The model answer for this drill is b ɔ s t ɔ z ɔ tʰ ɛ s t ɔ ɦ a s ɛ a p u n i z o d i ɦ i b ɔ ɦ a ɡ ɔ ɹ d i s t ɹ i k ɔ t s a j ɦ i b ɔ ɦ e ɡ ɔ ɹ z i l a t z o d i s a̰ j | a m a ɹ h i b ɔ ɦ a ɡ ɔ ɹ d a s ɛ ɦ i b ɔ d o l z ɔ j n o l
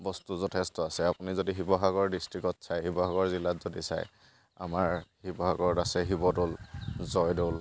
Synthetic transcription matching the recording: b ɔ s t u z ɔ tʰ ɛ s t ɔ a s ɛ a p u n i z o d i ɦ i b ɔ ɦ a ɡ ɔ ɹ d i s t ɹ i k ɔ t s a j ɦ i b ɔ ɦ a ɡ ɔ ɹ z i l a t z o d i s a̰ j | a m a ɹ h i b ɔ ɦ a ɡ ɔ ɹ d a s ɛ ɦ i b ɔ d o l z ɔ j d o l

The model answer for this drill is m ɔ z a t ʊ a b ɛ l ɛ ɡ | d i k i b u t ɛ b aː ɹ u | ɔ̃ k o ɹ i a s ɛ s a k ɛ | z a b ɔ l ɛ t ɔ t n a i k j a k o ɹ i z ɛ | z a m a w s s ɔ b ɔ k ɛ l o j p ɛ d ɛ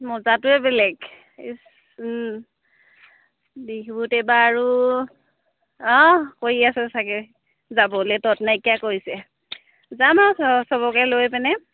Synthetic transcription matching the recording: m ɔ z a t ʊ ɛ b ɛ l ɛ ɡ | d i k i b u t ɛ b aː ɹ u | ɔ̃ k o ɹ i a s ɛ s a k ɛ | z a b ɔ l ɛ t ɔ t n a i k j a k o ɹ i s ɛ | z a m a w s s ɔ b ɔ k ɛ l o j p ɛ n ɛ

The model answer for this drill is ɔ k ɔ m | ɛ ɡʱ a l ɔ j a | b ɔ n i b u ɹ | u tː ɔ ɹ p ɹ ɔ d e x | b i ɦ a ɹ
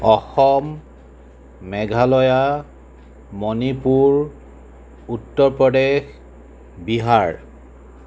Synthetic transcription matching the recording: ɔ x ɔ m | ɛ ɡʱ a l ɔ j a | m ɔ n i p u ɹ | u tː ɔ ɹ p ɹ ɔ d e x | b i ɦ a ɹ

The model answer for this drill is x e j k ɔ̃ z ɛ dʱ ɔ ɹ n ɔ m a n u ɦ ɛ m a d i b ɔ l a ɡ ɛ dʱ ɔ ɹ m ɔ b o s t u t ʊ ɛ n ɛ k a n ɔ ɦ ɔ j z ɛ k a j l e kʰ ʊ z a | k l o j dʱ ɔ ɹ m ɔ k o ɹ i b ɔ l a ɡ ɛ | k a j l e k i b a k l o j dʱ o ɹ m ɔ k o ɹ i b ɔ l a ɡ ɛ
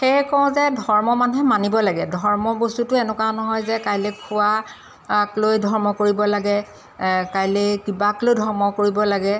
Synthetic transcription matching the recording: x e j k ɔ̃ z ɛ dʱ ɔ ɹ m ɔ m a n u ɦ ɛ m a n i b ɔ l a ɡ ɛ dʱ ɔ ɹ m ɔ b o s t u t ʊ ɛ n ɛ k a n ɔ ɦ ɔ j z ɛ k a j l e kʰ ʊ a | k l o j dʱ ɔ ɹ m ɔ k o ɹ i b ɔ l a ɡ ɛ | k a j l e k i b a k l o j dʱ ɔ ɹ m ɔ k o ɹ i b ɔ l a ɡ ɛ

